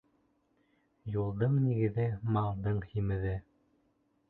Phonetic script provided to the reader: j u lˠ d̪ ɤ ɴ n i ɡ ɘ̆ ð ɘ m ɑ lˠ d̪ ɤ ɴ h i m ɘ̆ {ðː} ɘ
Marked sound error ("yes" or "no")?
yes